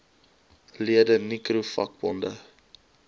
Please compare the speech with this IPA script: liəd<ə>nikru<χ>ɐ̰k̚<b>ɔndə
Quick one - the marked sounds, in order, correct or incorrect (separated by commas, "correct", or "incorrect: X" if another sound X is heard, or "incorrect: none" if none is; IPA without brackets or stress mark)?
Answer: correct, incorrect: f, correct